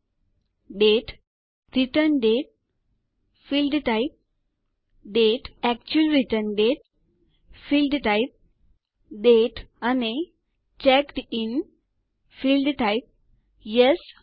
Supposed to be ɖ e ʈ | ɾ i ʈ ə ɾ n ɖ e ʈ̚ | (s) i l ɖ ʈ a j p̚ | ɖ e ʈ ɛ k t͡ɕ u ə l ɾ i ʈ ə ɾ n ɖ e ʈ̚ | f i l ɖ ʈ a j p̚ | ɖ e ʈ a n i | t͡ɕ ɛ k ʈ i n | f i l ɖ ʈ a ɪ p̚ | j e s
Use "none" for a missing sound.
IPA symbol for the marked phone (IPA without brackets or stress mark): f